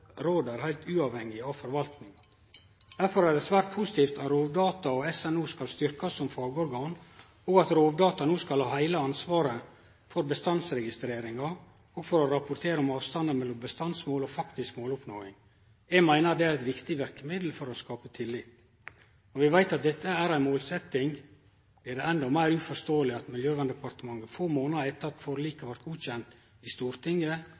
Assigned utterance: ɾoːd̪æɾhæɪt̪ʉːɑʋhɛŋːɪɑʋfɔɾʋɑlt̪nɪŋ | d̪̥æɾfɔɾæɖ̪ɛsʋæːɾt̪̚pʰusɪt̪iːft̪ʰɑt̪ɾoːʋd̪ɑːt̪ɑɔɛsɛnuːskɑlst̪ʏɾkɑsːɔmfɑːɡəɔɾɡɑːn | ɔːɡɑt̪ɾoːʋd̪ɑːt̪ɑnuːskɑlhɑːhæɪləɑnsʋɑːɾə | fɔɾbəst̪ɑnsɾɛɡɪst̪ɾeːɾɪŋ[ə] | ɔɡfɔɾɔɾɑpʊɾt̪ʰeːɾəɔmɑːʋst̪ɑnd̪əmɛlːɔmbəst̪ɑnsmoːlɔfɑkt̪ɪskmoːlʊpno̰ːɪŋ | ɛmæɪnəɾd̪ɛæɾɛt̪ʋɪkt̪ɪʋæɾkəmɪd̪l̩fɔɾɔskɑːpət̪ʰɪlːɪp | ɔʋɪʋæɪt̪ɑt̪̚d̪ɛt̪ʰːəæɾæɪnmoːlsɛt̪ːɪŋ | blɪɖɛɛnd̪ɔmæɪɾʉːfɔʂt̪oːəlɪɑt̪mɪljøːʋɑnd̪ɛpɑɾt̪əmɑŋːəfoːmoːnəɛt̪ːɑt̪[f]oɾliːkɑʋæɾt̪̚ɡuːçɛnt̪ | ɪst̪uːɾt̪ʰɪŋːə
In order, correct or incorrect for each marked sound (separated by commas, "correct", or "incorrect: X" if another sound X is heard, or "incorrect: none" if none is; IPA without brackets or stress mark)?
incorrect: ɑ, correct